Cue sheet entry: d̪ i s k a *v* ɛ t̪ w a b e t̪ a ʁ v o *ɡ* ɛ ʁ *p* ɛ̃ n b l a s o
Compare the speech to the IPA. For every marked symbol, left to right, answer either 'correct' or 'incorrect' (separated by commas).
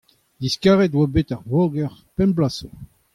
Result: incorrect, correct, correct